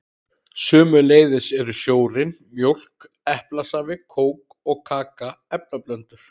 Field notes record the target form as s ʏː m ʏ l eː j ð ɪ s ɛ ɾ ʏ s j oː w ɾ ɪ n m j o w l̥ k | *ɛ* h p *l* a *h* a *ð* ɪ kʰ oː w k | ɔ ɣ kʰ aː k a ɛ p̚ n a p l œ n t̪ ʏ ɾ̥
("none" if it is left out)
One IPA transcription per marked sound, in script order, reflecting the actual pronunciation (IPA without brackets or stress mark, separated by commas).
ɛ, l, s, v